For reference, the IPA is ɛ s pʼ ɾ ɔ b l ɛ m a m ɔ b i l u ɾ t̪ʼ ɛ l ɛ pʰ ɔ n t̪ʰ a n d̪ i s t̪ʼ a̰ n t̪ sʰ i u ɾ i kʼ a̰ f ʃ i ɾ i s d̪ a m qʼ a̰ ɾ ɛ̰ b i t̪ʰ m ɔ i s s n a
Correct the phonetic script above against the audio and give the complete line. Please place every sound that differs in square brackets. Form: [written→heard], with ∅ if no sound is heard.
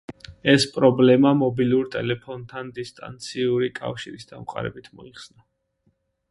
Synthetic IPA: ɛ s pʼ ɾ ɔ b l ɛ m a m ɔ b i l u ɾ t̪ʼ ɛ l ɛ pʰ ɔ n t̪ʰ a n d̪ i s t̪ʼ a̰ n t̪ sʰ i u ɾ i kʼ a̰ f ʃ i ɾ i s d̪ a m qʼ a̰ ɾ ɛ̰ b i t̪ʰ m ɔ i [s→χ] s n a